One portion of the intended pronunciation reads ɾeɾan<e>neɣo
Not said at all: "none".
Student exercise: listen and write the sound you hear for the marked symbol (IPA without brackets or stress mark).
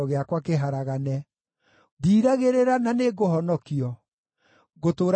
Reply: a